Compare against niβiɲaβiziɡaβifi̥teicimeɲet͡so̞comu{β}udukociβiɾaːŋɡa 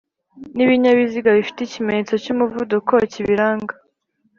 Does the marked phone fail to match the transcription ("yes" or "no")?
yes